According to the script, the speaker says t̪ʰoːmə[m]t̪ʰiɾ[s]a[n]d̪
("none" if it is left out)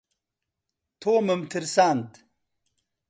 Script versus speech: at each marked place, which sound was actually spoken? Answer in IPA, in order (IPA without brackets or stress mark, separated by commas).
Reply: m, s, n